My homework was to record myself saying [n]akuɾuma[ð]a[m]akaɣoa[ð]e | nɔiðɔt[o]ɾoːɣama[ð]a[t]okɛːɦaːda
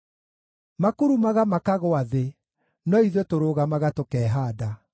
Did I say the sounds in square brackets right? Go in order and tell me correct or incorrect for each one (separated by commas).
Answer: incorrect, incorrect, correct, correct, correct, incorrect, correct